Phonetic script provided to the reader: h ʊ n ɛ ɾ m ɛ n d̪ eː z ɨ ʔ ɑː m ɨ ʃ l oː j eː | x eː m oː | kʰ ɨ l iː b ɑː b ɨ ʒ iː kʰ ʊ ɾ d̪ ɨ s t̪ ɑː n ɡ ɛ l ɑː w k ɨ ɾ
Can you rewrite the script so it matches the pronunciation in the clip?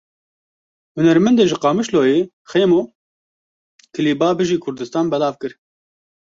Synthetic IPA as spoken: h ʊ n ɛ ɾ m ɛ n d̪ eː ʒ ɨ q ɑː m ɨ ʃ l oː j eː | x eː m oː | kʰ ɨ l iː b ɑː b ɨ ʒ iː kʰ ʊ ɾ d̪ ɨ s t̪ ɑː n b ɛ l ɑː v k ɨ ɾ